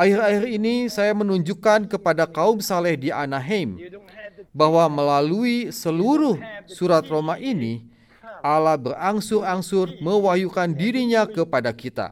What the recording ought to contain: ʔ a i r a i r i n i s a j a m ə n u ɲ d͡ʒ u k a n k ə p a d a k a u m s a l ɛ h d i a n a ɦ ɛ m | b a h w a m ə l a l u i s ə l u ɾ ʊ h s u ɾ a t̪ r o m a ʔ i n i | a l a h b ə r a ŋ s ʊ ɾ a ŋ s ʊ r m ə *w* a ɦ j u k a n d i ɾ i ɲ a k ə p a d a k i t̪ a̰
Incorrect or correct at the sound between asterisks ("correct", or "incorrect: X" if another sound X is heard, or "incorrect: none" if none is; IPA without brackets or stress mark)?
correct